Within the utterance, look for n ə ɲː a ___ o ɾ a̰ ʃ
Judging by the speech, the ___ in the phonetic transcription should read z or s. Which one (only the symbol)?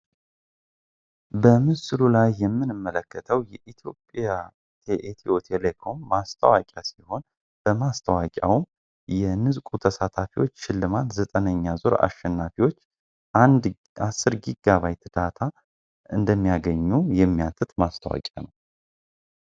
z